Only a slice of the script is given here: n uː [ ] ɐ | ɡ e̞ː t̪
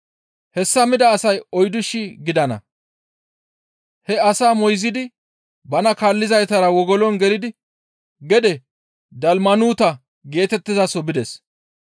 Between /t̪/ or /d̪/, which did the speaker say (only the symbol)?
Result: t̪